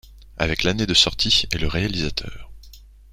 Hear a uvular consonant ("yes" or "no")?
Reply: yes